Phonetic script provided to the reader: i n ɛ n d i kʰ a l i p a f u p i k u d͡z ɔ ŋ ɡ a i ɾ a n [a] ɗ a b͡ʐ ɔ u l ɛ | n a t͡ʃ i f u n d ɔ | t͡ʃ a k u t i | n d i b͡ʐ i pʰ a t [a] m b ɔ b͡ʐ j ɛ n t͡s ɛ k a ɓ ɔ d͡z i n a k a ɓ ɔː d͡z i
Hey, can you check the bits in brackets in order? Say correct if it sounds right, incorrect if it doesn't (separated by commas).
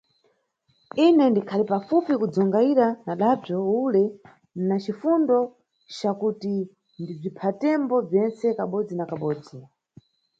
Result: correct, incorrect